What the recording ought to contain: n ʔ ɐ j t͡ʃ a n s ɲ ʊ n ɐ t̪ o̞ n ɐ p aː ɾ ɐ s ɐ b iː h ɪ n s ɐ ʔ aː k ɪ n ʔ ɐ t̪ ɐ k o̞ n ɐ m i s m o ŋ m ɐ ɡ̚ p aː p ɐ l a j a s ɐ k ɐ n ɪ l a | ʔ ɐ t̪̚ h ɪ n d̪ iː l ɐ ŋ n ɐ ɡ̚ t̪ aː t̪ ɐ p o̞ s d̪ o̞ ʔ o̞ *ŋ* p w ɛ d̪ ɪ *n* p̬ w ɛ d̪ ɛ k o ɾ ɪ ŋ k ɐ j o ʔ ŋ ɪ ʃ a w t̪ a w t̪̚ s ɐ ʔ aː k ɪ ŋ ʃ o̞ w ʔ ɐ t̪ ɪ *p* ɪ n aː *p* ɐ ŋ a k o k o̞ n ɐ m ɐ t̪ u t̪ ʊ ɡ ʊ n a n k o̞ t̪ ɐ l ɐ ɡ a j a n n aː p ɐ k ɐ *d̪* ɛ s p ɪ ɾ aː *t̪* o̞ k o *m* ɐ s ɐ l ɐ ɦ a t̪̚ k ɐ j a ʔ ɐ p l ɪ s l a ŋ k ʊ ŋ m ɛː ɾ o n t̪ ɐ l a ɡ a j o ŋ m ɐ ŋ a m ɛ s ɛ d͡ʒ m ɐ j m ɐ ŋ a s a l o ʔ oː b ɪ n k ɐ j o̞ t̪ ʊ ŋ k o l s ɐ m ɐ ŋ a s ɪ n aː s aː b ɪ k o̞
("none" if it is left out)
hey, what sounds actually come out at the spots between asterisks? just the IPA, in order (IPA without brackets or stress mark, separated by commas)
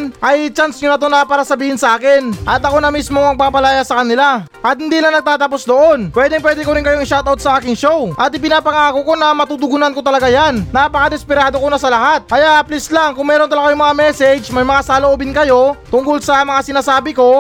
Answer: n, ŋ, p, p, d̪, d̪, n